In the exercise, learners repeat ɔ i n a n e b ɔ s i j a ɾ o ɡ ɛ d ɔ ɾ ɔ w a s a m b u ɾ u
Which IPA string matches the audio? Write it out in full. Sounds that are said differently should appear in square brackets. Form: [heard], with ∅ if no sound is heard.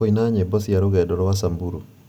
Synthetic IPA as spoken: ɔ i n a [ɲ] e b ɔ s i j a ɾ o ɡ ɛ d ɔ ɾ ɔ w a s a m b u ɾ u